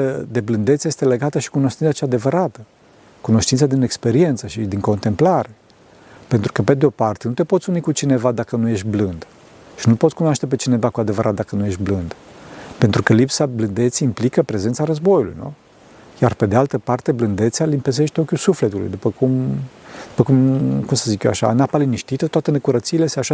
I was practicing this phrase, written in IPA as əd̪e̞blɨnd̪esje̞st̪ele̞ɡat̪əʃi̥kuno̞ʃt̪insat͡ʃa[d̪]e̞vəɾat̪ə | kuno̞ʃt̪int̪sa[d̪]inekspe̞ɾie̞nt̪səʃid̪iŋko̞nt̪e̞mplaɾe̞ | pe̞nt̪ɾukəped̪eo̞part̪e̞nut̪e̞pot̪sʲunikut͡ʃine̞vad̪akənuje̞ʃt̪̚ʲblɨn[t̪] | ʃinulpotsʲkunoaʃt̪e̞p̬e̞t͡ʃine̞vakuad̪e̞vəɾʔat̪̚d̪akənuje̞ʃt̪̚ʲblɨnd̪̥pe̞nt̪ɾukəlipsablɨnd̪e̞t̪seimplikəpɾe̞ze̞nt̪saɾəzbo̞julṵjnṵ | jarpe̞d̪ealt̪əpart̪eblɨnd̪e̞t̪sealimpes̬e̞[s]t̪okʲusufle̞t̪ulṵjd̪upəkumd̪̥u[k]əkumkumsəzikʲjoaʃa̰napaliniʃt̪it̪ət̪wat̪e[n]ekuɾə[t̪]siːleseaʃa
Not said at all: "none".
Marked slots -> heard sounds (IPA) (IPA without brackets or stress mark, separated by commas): d̪, d̪, d̪, ʃ, p, n, t̪